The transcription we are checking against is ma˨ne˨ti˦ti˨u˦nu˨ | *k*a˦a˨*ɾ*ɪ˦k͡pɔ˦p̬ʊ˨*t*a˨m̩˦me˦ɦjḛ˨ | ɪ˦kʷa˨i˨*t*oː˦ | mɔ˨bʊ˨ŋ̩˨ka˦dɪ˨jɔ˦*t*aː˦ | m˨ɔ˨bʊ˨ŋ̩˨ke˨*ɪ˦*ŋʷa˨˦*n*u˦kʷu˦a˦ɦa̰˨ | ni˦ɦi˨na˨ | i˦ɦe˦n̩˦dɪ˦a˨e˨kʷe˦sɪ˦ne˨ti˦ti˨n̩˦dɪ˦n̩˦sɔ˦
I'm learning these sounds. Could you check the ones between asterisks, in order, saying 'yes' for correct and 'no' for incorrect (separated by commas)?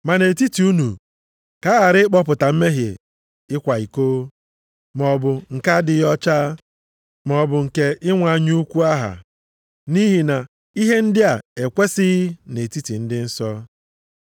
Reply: yes, yes, yes, no, no, yes, no